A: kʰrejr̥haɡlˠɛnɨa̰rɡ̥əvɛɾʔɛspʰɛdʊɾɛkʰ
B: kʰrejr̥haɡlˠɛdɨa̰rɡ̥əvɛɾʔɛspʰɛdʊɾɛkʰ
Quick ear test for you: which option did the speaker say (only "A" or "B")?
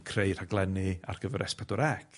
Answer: A